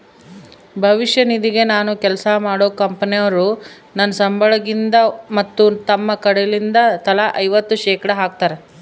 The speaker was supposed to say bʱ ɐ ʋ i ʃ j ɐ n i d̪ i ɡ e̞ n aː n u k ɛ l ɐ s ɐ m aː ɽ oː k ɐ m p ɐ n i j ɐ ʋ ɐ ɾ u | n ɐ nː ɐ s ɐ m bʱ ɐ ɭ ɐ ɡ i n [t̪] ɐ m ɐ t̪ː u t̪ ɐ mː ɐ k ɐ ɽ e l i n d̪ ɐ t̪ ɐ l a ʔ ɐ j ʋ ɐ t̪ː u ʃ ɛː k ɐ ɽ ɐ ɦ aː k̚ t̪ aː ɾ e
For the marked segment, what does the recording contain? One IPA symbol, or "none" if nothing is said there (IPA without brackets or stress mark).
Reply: d̪